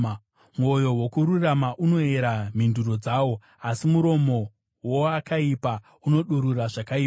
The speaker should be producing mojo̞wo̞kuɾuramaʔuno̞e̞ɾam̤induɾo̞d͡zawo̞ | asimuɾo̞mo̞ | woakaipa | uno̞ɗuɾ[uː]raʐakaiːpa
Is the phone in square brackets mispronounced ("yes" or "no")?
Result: yes